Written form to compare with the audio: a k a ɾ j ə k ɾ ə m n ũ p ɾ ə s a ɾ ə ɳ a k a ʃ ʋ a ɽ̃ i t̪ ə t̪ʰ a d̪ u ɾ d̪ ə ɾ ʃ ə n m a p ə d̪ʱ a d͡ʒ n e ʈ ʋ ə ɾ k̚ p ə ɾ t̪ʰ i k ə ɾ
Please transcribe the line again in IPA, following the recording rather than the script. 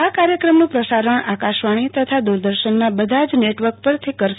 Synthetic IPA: a k a ɾ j ə k ɾ ə m n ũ p ɾ ə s a ɾ ə ɳ a k a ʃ ʋ a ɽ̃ i t̪ ə t̪ʰ a d̪ u ɾ d̪ ə ɾ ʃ ə n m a b ə d̪ʱ a d͡ʒ n e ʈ ʋ ə ɾ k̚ p ə ɾ t̪ʰ i k ə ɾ